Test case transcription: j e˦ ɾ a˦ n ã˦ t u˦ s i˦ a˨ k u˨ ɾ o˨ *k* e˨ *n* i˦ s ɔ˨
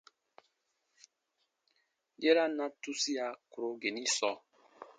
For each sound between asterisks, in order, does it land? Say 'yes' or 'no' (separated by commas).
no, yes